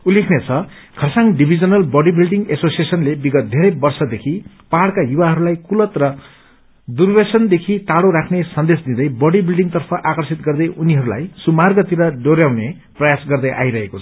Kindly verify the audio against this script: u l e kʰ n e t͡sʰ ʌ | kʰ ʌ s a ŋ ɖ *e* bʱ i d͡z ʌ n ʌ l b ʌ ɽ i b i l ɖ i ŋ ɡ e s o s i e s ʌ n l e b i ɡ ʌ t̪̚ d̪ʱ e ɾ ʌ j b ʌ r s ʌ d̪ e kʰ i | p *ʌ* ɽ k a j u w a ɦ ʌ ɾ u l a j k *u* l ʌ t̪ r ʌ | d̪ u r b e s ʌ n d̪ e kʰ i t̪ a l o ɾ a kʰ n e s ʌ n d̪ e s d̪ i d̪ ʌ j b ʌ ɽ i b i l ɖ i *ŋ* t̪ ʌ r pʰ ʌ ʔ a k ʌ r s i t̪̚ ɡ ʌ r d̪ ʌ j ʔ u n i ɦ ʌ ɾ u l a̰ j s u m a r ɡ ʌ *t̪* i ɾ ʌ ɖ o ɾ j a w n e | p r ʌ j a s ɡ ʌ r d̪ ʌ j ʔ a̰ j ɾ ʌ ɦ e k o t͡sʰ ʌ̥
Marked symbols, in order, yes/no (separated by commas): no, no, yes, yes, yes